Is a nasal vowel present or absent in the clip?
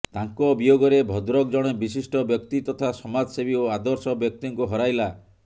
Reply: absent